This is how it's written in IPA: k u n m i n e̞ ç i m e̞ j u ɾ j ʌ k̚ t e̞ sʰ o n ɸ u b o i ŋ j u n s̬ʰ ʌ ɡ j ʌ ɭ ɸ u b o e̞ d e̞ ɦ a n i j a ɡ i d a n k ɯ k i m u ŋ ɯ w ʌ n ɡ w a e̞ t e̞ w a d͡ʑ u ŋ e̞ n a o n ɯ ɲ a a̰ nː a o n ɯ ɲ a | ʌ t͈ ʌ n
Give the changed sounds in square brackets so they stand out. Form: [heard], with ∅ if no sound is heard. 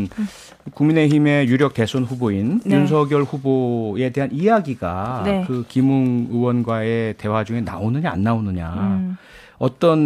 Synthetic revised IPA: k u [ŋ] m i n e̞ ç i m e̞ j u ɾ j ʌ k̚ t e̞ sʰ o n ɸ u b o i [n] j u n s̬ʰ ʌ ɡ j ʌ ɭ ɸ u b o e̞ d e̞ ɦ a n i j a ɡ i [ɡ] a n k ɯ k i m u ŋ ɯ w ʌ n ɡ w a e̞ t e̞ w a d͡ʑ u ŋ e̞ n a o n ɯ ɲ a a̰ nː a o n ɯ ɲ a | ʌ t͈ ʌ n